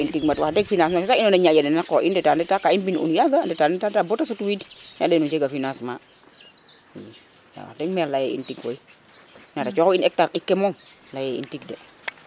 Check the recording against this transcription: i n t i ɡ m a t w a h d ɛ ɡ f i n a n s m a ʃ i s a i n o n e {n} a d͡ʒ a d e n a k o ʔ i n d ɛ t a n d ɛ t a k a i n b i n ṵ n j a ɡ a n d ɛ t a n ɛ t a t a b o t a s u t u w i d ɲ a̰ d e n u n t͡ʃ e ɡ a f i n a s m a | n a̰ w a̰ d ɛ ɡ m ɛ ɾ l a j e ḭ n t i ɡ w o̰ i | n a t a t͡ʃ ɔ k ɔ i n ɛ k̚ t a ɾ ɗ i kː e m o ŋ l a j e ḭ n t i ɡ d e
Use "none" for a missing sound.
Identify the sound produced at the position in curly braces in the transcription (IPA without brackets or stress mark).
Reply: ɲ